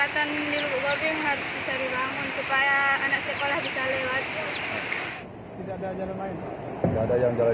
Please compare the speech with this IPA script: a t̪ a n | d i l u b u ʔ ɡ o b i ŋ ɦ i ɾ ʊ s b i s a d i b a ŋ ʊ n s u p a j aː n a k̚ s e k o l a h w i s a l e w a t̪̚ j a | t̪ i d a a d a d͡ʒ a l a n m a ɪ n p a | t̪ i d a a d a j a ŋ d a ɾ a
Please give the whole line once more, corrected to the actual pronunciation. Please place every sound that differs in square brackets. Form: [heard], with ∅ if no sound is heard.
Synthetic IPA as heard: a t̪ a n | d i l u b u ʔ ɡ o b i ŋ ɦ [a] ɾ ʊ s b i s a d i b a ŋ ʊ n s u p a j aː n a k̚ s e k o l a h [b] i s a l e w a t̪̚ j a | t̪ i d a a d a d͡ʒ a l a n m a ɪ n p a | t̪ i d a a d a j a ŋ [d͡ʒ] a [l] a